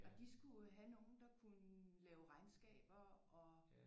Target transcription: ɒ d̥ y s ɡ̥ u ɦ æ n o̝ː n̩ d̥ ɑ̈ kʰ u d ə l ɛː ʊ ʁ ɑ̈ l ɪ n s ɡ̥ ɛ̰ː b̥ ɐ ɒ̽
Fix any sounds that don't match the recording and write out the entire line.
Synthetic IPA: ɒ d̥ i s ɡ̥ u ɦ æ n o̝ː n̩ d̥ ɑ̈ kʰ u n ə l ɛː ʊ ʁ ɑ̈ ɪ n s ɡ̥ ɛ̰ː b̥ ɐ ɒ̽